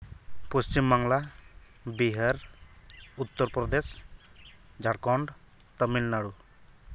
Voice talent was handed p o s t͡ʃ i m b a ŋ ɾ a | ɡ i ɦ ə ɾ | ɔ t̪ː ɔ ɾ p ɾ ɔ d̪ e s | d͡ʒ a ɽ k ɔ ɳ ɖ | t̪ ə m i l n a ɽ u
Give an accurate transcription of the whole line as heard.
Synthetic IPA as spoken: p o s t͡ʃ i m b a ŋ l a | b i ɦ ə ɾ | u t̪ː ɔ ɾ p ɾ ɔ d̪ e s | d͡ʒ a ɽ k ɔ ɳ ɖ | t̪ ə m i l n a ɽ u